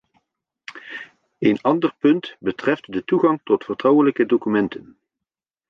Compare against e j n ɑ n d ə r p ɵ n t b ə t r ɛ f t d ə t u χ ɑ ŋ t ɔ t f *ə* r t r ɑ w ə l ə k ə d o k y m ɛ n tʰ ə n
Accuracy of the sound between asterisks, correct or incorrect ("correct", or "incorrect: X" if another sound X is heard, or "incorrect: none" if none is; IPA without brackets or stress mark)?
correct